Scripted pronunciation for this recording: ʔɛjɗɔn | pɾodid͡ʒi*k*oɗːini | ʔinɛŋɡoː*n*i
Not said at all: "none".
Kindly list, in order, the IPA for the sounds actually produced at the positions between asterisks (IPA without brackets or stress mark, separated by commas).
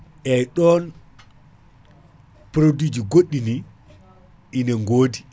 ɡ, d